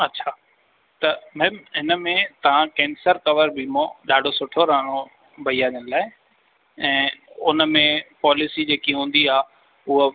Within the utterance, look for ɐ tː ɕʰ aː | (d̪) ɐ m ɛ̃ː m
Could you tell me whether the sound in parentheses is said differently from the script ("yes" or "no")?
yes